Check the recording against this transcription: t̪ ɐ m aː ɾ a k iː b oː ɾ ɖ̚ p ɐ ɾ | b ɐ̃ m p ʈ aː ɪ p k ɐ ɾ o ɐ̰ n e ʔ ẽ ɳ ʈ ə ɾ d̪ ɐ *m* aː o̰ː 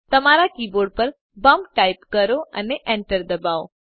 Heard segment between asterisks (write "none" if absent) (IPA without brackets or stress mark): b